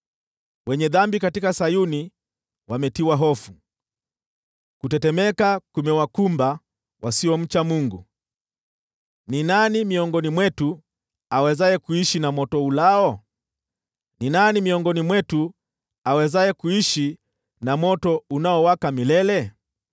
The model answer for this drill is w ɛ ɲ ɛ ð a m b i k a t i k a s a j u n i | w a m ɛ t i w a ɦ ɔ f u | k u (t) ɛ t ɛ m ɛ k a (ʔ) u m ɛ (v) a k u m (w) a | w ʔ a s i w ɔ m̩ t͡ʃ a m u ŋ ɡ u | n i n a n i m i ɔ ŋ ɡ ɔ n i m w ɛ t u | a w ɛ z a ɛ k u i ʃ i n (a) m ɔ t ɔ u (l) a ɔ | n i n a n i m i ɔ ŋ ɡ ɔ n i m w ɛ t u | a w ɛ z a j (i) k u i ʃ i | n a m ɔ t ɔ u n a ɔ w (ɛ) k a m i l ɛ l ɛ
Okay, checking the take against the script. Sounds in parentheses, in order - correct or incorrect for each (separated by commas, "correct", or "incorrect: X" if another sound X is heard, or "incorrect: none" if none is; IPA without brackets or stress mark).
correct, incorrect: k, incorrect: w, incorrect: b, correct, correct, incorrect: ɛ, incorrect: a